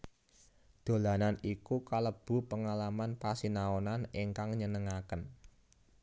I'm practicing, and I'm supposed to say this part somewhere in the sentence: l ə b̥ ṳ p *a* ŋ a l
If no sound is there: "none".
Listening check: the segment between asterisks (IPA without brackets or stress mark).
ə